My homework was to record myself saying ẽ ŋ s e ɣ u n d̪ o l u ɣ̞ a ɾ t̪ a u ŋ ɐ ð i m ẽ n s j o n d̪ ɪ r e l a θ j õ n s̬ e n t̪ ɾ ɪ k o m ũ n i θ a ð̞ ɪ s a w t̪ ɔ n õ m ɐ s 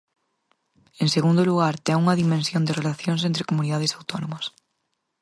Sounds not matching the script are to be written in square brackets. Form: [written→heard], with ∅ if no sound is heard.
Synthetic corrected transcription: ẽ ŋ s e ɣ u n d̪ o l u ɣ̞ a ɾ t̪ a u ŋ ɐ ð i m ẽ n s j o n d̪ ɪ r e l a θ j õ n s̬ e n t̪ ɾ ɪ k o m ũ n i [θ→ð] a ð̞ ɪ s a w t̪ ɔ n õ m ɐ s